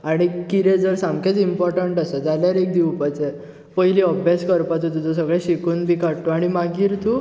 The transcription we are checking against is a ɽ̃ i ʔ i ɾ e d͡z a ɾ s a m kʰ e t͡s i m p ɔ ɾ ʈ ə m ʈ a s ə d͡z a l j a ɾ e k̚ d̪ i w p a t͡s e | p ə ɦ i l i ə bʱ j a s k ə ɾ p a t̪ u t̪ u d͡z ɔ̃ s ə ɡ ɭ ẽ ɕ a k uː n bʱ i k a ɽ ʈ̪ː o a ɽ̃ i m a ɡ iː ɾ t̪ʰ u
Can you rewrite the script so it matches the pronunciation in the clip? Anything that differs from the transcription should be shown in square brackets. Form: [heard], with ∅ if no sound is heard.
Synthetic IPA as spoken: a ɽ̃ i [k] i ɾ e d͡z [ə] ɾ s a m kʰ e t͡s i m p ɔ ɾ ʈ ə [ɳ] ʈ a s ə d͡z a l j a ɾ e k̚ d̪ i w p a t͡s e | p ə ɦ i l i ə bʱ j a s k ə ɾ p a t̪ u t̪ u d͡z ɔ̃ s ə ɡ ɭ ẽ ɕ [i] k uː n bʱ i k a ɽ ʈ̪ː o a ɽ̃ i m a ɡ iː ɾ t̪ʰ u